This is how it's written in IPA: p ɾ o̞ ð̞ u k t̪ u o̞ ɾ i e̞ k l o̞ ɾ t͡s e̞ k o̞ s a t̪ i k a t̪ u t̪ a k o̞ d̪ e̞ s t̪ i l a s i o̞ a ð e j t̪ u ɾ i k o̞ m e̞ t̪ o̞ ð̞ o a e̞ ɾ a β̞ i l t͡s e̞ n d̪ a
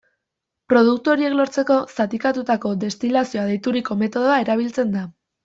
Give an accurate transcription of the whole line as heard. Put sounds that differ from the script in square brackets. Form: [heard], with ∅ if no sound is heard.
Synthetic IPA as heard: p ɾ o̞ ð̞ u k t̪ u o̞ ɾ i e̞ k l o̞ ɾ t͡s e̞ k o̞ s a t̪ i k a t̪ u t̪ a k o̞ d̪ e̞ s t̪ i l a s i o̞ a ð e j t̪ u ɾ i k o̞ m e̞ t̪ o̞ ð̞ o a e̞ ɾ a β̞ i l t͡s e̞ n d̪ a